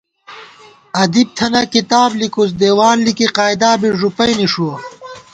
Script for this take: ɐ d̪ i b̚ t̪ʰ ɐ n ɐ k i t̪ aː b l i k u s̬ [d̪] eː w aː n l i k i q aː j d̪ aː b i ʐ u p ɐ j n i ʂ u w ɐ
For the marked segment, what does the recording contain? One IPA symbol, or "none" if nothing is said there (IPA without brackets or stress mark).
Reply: d̪